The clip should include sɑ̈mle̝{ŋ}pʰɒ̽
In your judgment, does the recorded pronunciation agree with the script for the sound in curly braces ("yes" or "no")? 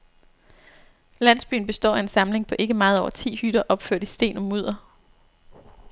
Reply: yes